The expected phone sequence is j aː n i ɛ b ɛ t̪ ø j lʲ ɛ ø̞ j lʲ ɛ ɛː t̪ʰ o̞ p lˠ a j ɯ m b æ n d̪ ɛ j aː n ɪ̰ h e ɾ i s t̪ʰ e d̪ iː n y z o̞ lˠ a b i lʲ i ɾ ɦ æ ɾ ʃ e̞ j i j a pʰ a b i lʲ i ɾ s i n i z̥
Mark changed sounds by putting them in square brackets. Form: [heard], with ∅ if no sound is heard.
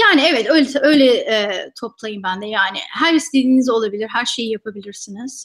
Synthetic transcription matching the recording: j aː n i ɛ [v] ɛ t̪ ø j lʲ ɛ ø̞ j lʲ ɛ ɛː t̪ʰ o̞ p lˠ a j ɯ m b æ n d̪ ɛ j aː n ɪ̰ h [æ] ɾ i s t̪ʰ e d̪ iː n [i] z o̞ lˠ a b i lʲ i ɾ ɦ æ ɾ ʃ e̞ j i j a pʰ a b i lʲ i ɾ s i n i z̥